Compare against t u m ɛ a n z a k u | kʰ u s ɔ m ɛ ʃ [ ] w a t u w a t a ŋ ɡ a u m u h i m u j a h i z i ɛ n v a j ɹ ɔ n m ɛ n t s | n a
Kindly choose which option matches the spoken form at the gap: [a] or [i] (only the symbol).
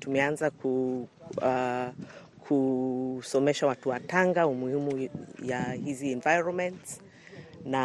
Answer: a